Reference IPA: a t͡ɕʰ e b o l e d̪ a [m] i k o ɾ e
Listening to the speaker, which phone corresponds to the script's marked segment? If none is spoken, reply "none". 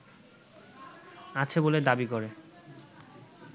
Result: b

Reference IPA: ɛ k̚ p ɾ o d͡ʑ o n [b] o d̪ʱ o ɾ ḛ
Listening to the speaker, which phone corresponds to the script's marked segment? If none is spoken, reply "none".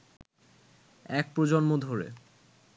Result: m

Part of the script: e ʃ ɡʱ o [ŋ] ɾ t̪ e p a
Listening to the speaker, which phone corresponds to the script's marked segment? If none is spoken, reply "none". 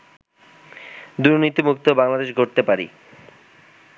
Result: none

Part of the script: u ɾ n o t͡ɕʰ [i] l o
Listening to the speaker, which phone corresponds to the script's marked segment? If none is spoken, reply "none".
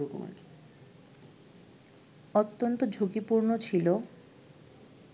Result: i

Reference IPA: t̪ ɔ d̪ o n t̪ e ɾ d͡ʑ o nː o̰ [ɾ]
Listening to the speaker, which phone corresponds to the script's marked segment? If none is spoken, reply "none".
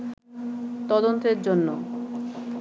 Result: none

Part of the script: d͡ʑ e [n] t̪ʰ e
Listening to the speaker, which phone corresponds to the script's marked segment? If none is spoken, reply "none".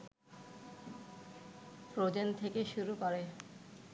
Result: n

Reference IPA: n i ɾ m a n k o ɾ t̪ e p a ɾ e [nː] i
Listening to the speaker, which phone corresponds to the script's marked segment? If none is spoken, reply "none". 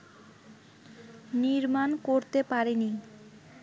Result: n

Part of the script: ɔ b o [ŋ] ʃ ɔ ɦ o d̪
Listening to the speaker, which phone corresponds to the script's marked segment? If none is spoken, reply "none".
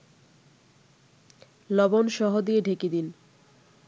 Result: n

